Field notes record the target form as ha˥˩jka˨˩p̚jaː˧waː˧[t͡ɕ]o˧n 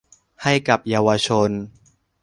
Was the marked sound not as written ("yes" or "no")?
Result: yes